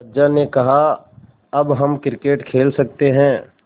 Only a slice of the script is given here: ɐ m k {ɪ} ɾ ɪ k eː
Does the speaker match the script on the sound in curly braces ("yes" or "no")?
yes